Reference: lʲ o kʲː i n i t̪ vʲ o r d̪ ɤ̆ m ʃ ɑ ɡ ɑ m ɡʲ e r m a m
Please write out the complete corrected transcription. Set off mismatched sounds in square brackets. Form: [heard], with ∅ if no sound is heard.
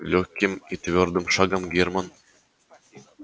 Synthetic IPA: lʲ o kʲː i [m] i t̪ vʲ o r d̪ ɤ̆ m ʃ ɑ ɡ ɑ m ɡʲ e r m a [n]